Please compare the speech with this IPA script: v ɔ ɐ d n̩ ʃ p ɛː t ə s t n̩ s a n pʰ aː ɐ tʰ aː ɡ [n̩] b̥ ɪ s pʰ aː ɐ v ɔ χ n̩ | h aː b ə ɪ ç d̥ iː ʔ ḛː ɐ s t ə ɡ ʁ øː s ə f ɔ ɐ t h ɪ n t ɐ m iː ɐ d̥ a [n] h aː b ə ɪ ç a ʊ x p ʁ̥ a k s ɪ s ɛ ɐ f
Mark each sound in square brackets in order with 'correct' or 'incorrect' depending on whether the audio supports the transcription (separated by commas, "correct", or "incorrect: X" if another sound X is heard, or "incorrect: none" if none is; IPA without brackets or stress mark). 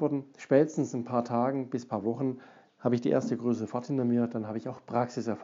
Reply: incorrect: ŋ̩, correct